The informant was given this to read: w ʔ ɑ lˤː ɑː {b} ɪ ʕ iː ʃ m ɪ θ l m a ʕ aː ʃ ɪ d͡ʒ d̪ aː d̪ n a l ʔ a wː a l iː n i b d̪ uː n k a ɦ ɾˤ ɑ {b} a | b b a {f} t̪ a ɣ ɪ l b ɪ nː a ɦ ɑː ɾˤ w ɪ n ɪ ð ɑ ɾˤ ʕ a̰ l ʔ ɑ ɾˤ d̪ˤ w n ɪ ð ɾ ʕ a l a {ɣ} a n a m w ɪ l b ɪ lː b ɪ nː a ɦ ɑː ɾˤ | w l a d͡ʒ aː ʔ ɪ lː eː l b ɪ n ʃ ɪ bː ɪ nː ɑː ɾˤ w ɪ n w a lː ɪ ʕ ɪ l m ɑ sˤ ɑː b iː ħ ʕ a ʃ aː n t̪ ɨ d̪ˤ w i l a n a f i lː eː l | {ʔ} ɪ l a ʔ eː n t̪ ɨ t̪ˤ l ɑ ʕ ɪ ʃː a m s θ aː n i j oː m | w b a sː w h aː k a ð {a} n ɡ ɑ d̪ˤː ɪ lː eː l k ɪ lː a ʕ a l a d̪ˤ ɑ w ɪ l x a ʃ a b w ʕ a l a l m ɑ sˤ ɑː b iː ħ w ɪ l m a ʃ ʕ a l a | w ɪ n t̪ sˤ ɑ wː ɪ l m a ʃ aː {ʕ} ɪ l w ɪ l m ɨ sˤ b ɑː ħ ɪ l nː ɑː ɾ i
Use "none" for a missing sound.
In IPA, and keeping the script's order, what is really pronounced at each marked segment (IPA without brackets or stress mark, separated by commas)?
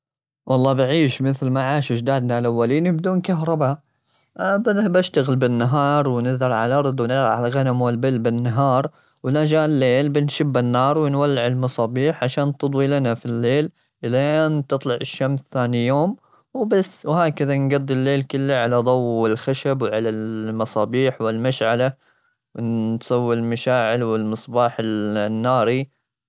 b, b, ʃ, ɣ, ʔ, a, ʕ